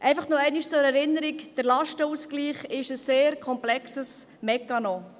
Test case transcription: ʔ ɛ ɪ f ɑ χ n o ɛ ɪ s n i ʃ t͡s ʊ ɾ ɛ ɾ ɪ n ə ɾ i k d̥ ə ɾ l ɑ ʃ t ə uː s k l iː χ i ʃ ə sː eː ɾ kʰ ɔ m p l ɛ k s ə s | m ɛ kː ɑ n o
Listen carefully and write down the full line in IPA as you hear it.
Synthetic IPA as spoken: ʔ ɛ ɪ f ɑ χ n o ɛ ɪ n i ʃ t͡s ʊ ɾ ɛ ɾ ɪ n ə ɾ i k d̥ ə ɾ l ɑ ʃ t ə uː s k l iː χ ɪ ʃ ə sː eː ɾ kʰ ɔ m p l ɛ k s ə s | m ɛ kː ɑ n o